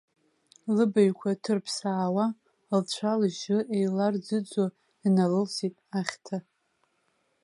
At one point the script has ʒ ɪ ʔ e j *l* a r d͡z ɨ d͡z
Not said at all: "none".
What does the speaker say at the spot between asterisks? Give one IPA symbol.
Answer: l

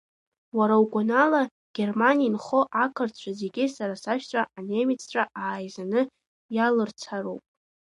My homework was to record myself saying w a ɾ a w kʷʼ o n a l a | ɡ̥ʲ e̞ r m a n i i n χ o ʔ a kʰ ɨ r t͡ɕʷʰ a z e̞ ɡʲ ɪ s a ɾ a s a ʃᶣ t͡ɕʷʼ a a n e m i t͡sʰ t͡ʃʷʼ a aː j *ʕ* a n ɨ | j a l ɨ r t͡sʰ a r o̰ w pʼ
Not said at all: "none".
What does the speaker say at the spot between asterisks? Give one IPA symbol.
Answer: z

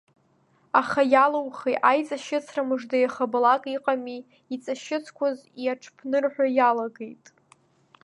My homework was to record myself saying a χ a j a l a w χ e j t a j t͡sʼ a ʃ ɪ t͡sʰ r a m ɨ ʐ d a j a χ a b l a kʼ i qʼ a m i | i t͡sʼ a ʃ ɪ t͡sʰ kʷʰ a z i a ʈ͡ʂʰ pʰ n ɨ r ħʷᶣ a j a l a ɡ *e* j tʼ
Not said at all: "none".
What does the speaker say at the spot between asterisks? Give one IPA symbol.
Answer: e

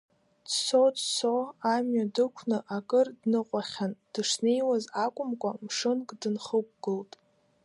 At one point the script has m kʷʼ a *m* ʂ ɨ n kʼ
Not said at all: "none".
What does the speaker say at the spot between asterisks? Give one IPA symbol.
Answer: m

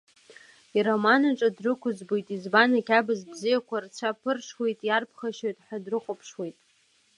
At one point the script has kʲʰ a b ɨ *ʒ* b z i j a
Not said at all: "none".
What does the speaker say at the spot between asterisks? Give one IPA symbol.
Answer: z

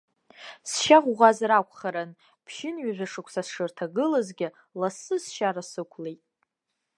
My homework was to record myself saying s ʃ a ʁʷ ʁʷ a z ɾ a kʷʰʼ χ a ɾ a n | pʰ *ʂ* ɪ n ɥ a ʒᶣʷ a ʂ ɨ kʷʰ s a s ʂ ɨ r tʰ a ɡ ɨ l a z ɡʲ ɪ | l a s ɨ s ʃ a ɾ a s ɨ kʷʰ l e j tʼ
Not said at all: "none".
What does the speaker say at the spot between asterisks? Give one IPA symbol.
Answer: ʃ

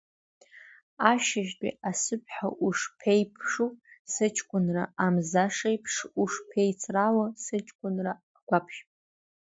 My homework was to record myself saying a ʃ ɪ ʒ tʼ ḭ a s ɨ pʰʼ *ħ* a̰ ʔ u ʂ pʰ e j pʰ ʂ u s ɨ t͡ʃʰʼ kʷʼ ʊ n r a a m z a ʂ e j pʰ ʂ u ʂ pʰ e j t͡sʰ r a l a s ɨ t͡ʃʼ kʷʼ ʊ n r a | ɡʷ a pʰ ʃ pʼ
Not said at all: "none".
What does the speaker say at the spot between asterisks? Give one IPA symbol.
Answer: ħ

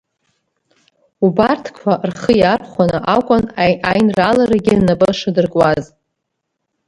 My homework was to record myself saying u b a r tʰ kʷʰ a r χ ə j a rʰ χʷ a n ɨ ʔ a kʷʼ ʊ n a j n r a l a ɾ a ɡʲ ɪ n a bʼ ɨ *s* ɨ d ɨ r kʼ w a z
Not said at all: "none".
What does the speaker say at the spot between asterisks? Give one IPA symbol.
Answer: ʂ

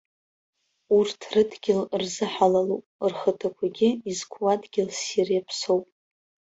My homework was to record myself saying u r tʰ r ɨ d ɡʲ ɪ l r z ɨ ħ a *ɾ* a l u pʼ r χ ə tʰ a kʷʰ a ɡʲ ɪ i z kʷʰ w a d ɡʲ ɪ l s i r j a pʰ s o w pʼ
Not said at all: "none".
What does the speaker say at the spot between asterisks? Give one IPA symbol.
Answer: l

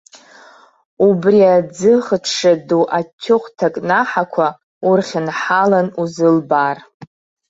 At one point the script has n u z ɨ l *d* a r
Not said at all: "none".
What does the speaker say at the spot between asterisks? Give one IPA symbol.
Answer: b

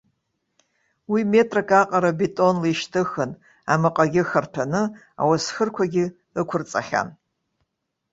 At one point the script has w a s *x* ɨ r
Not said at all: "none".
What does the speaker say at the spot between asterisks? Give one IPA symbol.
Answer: x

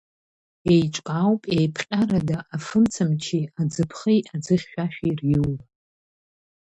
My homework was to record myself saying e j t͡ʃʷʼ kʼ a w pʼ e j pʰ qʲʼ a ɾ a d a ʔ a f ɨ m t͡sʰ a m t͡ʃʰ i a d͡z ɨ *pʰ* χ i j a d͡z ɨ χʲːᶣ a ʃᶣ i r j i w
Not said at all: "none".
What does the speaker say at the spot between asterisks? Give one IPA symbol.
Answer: pʰ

